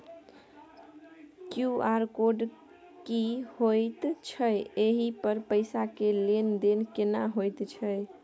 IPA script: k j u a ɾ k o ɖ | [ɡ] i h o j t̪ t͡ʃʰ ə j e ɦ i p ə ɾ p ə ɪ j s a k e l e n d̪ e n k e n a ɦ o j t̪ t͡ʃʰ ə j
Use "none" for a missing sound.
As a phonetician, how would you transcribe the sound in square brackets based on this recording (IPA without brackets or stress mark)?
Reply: k